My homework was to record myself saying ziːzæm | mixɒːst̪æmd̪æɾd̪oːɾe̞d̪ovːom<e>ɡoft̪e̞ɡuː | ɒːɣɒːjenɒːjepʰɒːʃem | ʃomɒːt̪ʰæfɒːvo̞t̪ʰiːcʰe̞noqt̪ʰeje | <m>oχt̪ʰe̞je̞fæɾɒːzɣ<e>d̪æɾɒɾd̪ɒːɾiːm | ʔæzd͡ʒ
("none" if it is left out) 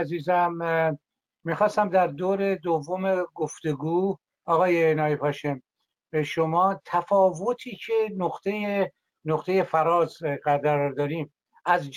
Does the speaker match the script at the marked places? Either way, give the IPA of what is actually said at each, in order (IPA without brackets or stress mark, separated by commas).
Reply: e, n, æ